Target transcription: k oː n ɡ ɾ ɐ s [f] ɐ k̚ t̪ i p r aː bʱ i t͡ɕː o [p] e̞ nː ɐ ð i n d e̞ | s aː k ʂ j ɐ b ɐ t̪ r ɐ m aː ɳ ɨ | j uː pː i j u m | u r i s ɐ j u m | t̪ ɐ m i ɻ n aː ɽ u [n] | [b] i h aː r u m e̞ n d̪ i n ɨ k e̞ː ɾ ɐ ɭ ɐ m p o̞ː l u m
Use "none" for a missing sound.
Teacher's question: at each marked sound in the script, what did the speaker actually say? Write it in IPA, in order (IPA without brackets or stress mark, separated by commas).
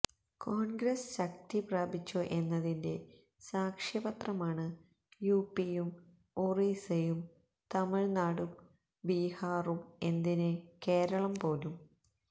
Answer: ɕ, ʔ, m, b